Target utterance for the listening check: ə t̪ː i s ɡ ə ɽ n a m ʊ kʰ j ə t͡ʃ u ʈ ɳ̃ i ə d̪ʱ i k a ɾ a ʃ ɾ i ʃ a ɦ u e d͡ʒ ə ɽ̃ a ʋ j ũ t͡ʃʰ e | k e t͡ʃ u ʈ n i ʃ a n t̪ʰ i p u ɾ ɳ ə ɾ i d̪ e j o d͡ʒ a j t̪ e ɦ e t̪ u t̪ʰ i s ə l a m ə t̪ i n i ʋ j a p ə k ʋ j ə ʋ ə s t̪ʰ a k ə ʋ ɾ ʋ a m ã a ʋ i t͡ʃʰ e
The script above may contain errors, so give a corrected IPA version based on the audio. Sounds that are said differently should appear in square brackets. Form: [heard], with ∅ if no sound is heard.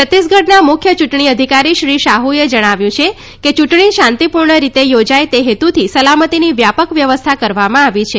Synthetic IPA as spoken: ə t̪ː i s ɡ ə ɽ n a m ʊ kʰ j ə t͡ʃ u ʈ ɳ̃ i ə d̪ʱ i k a ɾ [i] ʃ ɾ i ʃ a ɦ u e d͡ʒ ə ɽ̃ a ʋ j ũ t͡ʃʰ e | k e t͡ʃ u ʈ [ɳ] i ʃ a n [t̪] i p u ɾ ɳ ə ɾ i [t̪] e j o d͡ʒ a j t̪ e ɦ e t̪ u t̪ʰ i s ə l a m ə t̪ i n i ʋ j a p ə k ʋ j ə ʋ ə s t̪ʰ a k ə [∅] ɾ ʋ a m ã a ʋ i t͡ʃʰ e